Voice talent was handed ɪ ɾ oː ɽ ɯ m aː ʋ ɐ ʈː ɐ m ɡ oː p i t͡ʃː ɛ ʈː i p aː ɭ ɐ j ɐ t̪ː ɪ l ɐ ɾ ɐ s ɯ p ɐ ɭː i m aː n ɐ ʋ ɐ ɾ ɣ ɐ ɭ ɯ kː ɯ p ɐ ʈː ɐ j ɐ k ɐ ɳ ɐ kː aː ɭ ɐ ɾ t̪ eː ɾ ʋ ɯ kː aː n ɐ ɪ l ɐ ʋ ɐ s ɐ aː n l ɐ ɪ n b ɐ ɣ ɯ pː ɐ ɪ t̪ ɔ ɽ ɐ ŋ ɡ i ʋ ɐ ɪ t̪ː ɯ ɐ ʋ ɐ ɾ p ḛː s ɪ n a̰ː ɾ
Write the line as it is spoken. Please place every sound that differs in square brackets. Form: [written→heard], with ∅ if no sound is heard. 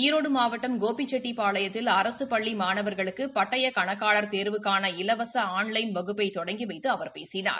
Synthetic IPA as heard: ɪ ɾ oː ɽ ɯ m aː ʋ ɐ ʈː ɐ m ɡ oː p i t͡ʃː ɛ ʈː i p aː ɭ ɐ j ɐ t̪ː ɪ l ɐ ɾ ɐ s ɯ p ɐ ɭː i m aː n ɐ ʋ ɐ ɾ ɣ ɐ ɭ ɯ kː ɯ p ɐ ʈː ɐ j ɐ k ɐ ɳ ɐ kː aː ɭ ɐ ɾ t̪ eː ɾ ʋ ɯ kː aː n ɐ ɪ l ɐ ʋ ɐ s ɐ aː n l ɐ ɪ n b ɐ ɣ ɯ pː ɐ ɪ t̪ ɔ ɽ ɐ ŋ ɡ i ʋ ɐ ɪ t̪ː ɯ ɐ ʋ ɐ ɾ p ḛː s ɪ n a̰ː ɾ

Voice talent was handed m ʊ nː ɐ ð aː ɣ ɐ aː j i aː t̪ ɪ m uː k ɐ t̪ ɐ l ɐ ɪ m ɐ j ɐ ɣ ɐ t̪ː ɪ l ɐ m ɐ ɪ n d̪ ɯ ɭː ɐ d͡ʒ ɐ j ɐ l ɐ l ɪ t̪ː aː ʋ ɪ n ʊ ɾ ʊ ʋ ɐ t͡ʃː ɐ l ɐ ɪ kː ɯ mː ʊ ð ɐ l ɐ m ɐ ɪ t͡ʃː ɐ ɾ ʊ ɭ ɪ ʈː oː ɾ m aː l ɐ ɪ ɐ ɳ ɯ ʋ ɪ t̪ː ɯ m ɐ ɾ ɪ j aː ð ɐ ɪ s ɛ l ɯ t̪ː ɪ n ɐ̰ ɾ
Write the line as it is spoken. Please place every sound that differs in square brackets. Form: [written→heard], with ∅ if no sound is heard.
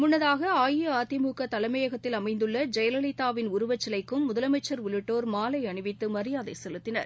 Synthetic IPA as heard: m ʊ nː ɐ ð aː ɣ ɐ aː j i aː t̪ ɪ m uː k ɐ t̪ ɐ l ɐ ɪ m ɐ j ɐ ɣ ɐ t̪ː ɪ l ɐ m ɐ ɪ n d̪ ɯ ɭː ɐ d͡ʒ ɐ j ɐ l ɐ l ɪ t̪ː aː ʋ ɪ n ʊ ɾ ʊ ʋ ɐ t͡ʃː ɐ l ɐ ɪ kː ɯ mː ʊ ð ɐ l ɐ m ɐ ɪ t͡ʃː ɐ ɾ ʊ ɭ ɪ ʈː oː ɾ m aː l ɐ ɪ ɐ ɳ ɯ ʋ ɪ t̪ː ɯ m ɐ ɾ ɪ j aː ð ɐ ɪ s ɛ l ɯ t̪ː ɪ n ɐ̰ ɾ

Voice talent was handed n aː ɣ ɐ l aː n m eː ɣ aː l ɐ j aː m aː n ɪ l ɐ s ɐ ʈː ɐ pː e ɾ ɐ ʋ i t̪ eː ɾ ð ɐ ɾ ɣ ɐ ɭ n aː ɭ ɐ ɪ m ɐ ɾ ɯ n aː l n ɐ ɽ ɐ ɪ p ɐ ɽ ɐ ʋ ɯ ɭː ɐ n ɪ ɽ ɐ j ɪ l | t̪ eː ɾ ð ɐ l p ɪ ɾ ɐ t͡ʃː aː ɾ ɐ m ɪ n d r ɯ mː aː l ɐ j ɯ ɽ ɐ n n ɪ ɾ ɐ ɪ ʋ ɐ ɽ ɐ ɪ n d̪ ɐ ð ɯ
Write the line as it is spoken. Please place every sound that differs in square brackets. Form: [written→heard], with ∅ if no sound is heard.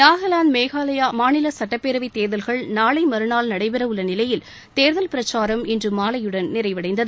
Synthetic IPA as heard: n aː ɣ ɐ l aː n m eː ɣ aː l ɐ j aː m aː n ɪ l ɐ s ɐ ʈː ɐ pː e ɾ ɐ ʋ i t̪ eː ɾ ð ɐ [ɾ→l] ɣ ɐ ɭ n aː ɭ ɐ ɪ m ɐ ɾ ɯ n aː l n ɐ ɽ ɐ ɪ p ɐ [ɽ→ɾ] ɐ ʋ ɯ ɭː ɐ n ɪ [ɽ→l] ɐ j ɪ l | t̪ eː ɾ ð ɐ l p ɪ ɾ ɐ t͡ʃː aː ɾ ɐ m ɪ n d r ɯ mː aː l ɐ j ɯ ɽ ɐ n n ɪ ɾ ɐ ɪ ʋ ɐ ɽ ɐ ɪ n d̪ ɐ ð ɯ

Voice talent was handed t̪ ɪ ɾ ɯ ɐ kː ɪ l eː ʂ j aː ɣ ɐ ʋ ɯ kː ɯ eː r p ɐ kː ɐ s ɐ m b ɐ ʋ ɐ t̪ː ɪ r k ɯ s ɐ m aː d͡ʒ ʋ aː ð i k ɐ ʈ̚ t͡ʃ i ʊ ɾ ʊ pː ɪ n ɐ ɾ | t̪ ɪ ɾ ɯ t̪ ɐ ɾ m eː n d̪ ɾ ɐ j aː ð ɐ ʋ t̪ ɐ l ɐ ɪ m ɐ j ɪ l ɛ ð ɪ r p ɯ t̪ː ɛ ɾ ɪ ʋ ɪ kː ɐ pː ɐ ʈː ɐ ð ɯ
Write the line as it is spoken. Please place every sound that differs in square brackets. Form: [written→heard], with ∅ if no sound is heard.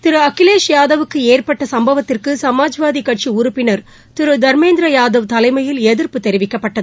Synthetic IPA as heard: t̪ ɪ ɾ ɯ ɐ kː ɪ l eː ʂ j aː [ɣ→ð] ɐ ʋ ɯ kː ɯ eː r p ɐ [kː→ʈː] ɐ s ɐ m b ɐ ʋ ɐ t̪ː ɪ r k ɯ s ɐ m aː d͡ʒ ʋ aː ð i k ɐ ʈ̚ t͡ʃ i ʊ ɾ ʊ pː ɪ n ɐ ɾ | t̪ ɪ ɾ ɯ [t̪→d̪] ɐ ɾ m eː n d̪ ɾ ɐ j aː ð ɐ ʋ t̪ ɐ l ɐ ɪ m ɐ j ɪ l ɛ ð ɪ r p ɯ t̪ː ɛ ɾ ɪ ʋ ɪ kː ɐ pː ɐ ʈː ɐ ð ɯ

